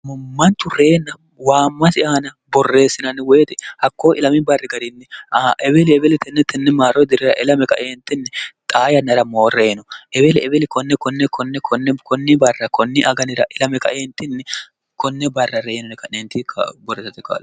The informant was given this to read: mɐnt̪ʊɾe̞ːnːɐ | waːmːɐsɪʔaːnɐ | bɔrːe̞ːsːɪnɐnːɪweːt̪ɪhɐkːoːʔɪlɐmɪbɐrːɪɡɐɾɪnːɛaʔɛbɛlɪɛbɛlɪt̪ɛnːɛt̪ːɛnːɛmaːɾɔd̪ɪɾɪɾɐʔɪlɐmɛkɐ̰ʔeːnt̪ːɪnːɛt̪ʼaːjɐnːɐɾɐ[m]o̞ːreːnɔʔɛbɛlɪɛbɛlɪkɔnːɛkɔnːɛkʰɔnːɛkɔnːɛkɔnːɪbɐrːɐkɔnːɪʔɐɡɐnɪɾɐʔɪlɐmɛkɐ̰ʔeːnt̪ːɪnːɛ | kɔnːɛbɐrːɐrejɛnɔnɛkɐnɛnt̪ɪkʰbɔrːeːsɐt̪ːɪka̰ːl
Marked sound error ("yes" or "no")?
no